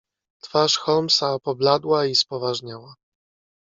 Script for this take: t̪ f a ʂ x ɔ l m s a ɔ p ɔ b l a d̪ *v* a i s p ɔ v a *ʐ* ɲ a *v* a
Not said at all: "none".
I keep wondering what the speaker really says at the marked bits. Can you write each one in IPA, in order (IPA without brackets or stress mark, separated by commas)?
w, ʐ, w